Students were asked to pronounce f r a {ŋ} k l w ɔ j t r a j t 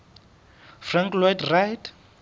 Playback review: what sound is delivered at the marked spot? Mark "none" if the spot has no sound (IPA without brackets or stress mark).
ŋ